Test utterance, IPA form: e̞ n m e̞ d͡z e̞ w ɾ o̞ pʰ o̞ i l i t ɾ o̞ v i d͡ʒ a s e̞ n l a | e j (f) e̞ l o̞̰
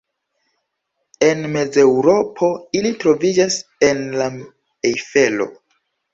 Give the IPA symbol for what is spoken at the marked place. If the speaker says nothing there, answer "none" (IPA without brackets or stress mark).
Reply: f